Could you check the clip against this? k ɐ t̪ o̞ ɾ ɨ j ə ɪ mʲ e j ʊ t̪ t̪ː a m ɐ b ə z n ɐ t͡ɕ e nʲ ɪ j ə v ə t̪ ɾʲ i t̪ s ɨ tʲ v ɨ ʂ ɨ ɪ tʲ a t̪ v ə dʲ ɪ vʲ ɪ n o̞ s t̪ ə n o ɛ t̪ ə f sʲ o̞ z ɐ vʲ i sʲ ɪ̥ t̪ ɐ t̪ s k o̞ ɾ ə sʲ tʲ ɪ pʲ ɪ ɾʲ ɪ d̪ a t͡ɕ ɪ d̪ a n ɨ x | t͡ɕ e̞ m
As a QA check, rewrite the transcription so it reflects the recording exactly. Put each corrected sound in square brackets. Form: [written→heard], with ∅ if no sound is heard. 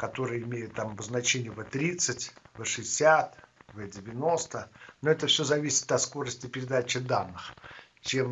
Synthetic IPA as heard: k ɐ t̪ o̞ ɾ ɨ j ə ɪ mʲ e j ʊ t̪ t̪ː a m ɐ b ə z n ɐ t͡ɕ e nʲ ɪ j ə v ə t̪ ɾʲ i t̪ s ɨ tʲ v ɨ ʂ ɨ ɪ [tʲ→sʲ] a t̪ v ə dʲ ɪ vʲ ɪ n o̞ s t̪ ə n o ɛ t̪ ə f sʲ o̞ z ɐ vʲ i sʲ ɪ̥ t̪ ɐ t̪ s k o̞ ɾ ə sʲ tʲ ɪ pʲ ɪ ɾʲ ɪ d̪ a t͡ɕ ɪ d̪ a [n→nː] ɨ x | t͡ɕ e̞ m